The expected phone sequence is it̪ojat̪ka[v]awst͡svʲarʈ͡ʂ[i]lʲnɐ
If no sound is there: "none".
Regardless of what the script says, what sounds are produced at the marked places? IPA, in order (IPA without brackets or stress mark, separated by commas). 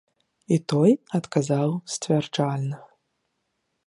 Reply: z, a